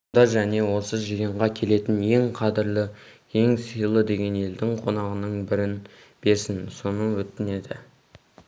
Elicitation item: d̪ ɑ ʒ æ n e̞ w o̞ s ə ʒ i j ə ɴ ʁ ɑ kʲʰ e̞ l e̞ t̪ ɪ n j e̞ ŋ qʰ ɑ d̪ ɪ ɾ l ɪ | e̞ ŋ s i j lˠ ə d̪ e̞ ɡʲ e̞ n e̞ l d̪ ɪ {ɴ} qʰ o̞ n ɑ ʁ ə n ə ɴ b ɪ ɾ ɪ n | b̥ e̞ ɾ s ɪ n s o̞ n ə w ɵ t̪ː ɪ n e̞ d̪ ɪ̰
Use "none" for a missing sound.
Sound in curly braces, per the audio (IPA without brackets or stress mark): ŋ